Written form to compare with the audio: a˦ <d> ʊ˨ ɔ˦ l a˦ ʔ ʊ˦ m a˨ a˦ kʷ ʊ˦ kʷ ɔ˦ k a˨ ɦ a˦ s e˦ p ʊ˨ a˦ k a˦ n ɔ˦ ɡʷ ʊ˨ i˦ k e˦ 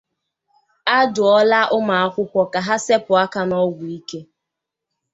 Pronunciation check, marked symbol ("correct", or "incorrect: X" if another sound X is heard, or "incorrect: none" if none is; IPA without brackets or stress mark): correct